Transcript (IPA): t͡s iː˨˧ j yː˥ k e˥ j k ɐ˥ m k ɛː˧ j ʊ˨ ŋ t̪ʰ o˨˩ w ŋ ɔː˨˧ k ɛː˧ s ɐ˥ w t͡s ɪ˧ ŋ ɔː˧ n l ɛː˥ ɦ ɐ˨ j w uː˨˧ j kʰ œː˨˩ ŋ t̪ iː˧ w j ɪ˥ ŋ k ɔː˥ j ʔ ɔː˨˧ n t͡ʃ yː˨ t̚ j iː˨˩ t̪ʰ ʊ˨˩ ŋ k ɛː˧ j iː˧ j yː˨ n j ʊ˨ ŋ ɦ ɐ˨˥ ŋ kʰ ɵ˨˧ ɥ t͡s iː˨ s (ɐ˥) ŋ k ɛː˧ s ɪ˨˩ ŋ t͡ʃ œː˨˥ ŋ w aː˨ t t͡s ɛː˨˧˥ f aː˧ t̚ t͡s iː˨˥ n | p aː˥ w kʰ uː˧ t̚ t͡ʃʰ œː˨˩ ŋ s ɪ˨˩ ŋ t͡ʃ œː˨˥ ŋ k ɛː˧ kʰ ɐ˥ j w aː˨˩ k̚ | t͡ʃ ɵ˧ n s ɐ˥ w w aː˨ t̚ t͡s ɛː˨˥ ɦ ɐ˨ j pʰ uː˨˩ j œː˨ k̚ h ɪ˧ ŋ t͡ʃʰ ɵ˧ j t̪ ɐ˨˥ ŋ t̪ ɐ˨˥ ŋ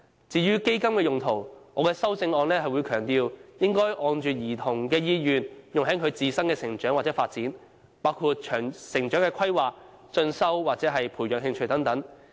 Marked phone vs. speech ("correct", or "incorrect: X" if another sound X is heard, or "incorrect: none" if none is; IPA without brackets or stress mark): correct